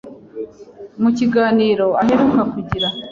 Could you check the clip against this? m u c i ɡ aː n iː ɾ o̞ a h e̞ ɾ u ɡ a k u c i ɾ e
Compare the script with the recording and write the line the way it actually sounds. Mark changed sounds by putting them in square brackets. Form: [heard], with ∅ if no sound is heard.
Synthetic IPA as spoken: m u c i ɡ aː n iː ɾ o̞ a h e̞ ɾ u [k] a k u [ɟ] i ɾ [a]